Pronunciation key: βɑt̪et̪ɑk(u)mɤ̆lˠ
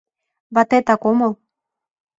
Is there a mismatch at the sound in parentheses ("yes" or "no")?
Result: yes